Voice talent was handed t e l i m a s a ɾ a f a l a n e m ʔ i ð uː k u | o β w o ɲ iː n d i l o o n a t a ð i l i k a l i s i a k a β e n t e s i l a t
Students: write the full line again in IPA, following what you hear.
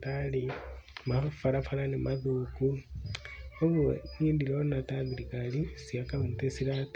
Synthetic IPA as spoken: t a l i m a f a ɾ a f a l a n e m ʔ a ð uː k u | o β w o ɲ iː n d i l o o n a t a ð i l i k a l i s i a k a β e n t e s i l a t